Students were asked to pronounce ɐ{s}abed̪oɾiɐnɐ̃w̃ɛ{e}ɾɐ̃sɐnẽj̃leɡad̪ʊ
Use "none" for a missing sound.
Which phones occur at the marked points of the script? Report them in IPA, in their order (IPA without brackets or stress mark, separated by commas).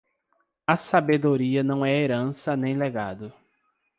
s, e